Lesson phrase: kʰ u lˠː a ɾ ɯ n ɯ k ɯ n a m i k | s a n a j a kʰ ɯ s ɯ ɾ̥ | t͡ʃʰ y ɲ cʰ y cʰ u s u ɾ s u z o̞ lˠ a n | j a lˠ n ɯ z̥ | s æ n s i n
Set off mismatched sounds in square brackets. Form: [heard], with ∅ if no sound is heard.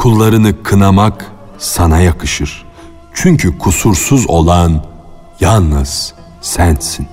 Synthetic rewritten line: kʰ u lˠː a ɾ ɯ n ɯ [kʰ] ɯ n a m [a] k | s a n a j a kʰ ɯ [ʃ] ɯ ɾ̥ | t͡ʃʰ y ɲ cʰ y [kʰ] u s u ɾ s u z o̞ lˠ a n | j a lˠ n ɯ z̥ | s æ n s i n